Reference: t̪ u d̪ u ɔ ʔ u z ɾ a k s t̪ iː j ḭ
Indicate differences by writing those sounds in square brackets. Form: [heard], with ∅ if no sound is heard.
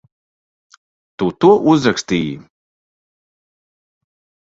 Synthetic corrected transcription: t̪ u [t̪] u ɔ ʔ u z ɾ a k s t̪ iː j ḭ